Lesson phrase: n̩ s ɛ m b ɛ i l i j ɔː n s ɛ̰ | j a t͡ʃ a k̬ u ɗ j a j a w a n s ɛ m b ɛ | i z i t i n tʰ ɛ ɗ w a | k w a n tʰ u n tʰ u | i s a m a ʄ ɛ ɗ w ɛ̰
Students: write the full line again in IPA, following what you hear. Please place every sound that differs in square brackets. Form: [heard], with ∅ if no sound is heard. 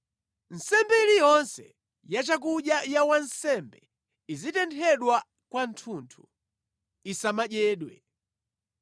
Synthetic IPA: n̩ s ɛ m b ɛ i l i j [ɔ] n s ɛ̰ | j a t͡ʃ a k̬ u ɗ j a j a w a n s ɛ m b ɛ | i z i t [ɛ] n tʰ ɛ ɗ w a | k w a n tʰ u n tʰ u | i s a m a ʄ [ɛː] ɗ w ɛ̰

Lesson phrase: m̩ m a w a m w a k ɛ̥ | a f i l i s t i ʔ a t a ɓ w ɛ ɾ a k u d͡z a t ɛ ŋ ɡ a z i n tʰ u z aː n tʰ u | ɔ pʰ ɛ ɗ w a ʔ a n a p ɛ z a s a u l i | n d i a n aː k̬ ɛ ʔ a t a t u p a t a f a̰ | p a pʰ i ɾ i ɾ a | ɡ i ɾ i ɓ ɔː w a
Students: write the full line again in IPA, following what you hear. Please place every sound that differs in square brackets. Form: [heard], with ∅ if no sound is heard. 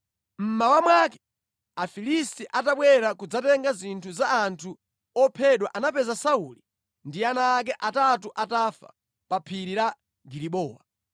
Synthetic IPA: m̩ m a w a m w a k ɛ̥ | a f i l i s t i ʔ a t a ɓ w ɛ ɾ a k u d͡z a t ɛ ŋ ɡ a z i n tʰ u z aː n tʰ u | ɔ pʰ ɛ ɗ w a ʔ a n a p ɛ z a s a u l i | n d i a n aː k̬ ɛ ʔ a t a t u [ʔ] a t a f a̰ | p a pʰ i ɾ i ɾ a | ɡ i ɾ i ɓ ɔː w a

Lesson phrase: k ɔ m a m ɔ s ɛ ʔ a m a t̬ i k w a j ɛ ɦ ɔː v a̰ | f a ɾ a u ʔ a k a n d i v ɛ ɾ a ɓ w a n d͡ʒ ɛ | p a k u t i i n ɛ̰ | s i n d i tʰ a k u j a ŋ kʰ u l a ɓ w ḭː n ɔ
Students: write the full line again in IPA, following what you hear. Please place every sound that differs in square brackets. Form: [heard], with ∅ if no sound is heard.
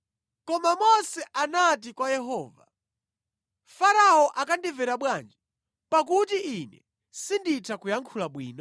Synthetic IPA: k ɔ m a m ɔ s ɛ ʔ a [n] a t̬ i k w a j ɛ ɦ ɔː v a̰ | f a ɾ a [ɔ] ʔ a k a n d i v ɛ ɾ a ɓ w a n d͡ʒ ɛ | p a k u t i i n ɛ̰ | s i n d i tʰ a k u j a ŋ kʰ u l a ɓ w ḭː n ɔ

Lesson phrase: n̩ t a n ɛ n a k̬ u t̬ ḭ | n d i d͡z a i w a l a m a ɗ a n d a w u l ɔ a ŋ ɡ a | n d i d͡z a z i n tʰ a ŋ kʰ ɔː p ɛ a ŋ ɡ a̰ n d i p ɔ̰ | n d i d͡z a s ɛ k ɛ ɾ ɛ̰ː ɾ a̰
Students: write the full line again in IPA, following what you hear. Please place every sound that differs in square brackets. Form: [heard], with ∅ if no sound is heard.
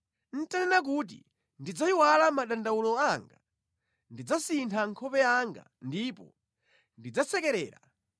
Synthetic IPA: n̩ t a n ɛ n a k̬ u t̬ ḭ | n d i d͡z a i w a l a m a ɗ a n d a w u l ɔ a ŋ ɡ a | n d i d͡z a [s] i n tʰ a ŋ kʰ [ɔ] p ɛ a ŋ ɡ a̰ n d i p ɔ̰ | n d i d͡z a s ɛ k ɛ ɾ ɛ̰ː ɾ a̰

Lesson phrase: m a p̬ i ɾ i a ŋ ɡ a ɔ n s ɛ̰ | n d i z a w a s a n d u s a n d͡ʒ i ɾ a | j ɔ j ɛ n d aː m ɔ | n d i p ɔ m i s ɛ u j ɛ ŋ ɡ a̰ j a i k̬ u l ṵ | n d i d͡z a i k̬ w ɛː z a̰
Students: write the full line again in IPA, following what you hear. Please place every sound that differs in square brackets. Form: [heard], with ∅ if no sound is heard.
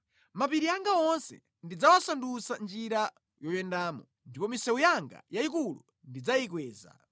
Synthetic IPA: m a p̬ i ɾ i a ŋ ɡ a ɔ n s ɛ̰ | n d i [d͡z] a w a s a n d u s a n d͡ʒ i ɾ a | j ɔ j ɛ n d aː m ɔ | n d i p ɔ m i s ɛ u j [a] ŋ ɡ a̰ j a i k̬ u l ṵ | n d i d͡z a i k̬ w ɛː z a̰

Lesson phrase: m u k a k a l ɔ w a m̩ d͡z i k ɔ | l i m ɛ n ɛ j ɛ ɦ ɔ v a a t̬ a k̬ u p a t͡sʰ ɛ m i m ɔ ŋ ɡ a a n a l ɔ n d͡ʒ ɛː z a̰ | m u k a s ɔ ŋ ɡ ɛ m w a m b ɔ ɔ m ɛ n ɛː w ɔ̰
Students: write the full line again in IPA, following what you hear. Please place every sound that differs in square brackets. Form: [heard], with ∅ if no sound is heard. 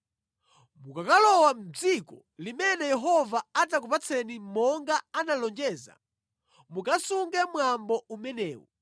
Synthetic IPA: m u k a k a l ɔ w a m̩ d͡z i k ɔ | l i m ɛ n ɛ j ɛ ɦ ɔ v a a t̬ a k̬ u p a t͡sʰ ɛ [n] i m ɔ ŋ ɡ a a n a l ɔ n d͡ʒ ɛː z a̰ | m u k a s [u] ŋ ɡ ɛ m w a m b ɔ [u] m ɛ n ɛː w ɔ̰

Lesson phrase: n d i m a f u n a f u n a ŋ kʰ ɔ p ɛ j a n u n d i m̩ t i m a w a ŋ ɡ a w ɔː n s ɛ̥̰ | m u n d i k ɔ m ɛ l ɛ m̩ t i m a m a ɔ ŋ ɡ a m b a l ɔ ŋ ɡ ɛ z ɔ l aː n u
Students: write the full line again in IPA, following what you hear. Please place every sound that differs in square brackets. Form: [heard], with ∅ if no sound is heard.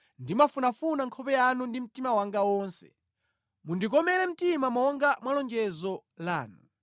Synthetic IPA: n d i m a f u n a f u n a ŋ kʰ ɔ p ɛ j a n u n d i m̩ t i m a w a ŋ ɡ a w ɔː n s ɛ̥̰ | m u n d i k ɔ m ɛ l ɛ m̩ t i m a m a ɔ ŋ ɡ a m [w] a l ɔ ŋ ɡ ɛ z ɔ l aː n u

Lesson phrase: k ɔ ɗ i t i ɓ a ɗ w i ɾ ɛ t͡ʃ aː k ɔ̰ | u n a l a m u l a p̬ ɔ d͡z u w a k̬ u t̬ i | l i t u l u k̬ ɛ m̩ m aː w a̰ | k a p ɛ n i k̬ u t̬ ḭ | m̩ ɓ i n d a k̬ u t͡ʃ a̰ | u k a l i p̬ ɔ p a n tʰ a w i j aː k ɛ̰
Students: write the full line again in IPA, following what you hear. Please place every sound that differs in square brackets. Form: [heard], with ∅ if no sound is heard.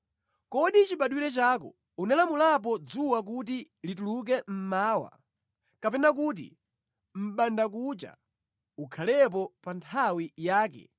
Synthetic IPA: k ɔ ɗ i [t͡ʃ] i ɓ a ɗ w i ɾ ɛ t͡ʃ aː k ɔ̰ | u n a l a m u l a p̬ ɔ d͡z u w a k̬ u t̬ i | l i t u l u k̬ ɛ m̩ m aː w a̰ | k a p ɛ n [a] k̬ u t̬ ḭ | m̩ ɓ [a] n d a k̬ u t͡ʃ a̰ | u [kʰ] a l [ɛ] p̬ ɔ p a n tʰ a w i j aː k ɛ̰

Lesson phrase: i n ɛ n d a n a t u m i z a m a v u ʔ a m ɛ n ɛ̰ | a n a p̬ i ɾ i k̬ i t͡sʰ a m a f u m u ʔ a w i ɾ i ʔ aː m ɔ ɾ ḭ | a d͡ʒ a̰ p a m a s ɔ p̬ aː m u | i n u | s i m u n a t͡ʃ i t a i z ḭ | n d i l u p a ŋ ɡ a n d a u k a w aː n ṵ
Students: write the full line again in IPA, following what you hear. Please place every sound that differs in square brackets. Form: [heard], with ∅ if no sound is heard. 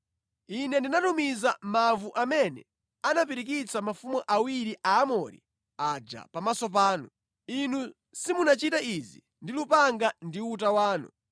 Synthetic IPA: i n ɛ n d [i] n a t u m i z a m a v u ʔ a m ɛ n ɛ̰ | a n a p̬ i ɾ i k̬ i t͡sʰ a m a f u m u ʔ a w i ɾ i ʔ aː m ɔ ɾ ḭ | a d͡ʒ a̰ p a m a s ɔ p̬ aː [n] u | i n u | s i m u n a t͡ʃ i t a i z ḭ | n d i l u p a ŋ ɡ a n d [i] u [t] a w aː n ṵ

